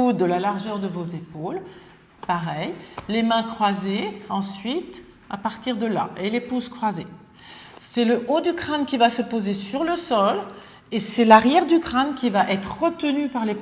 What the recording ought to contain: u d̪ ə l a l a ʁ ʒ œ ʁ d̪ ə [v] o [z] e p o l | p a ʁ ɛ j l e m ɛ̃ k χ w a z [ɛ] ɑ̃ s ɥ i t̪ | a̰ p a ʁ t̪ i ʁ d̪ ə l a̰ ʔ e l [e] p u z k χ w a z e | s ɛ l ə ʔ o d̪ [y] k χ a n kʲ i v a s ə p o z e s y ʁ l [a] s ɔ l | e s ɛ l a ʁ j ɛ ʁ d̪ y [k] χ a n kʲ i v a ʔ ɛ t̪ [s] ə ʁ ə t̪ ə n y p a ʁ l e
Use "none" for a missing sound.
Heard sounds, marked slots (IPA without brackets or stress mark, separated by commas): v, z, e, e, y, ə, k, χ